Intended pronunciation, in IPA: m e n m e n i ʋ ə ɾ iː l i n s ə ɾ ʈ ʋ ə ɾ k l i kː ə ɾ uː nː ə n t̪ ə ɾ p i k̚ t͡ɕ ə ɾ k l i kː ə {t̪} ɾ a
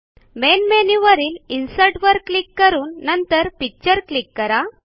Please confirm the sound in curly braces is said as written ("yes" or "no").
no